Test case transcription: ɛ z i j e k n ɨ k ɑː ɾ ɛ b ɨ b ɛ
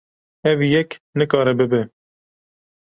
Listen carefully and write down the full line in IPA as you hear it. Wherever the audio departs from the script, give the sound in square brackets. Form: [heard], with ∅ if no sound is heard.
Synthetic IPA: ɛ [v] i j [ɛ] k n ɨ k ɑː ɾ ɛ b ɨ b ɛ